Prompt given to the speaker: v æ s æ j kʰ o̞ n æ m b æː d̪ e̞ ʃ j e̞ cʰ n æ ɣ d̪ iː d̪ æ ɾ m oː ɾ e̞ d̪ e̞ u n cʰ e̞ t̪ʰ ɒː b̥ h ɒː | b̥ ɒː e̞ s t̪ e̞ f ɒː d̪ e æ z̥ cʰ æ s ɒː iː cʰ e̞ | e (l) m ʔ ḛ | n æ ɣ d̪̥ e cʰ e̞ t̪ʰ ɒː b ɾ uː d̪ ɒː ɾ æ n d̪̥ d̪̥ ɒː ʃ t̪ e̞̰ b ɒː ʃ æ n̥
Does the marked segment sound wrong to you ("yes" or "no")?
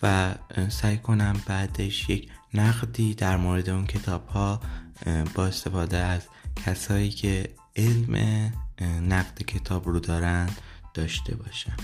no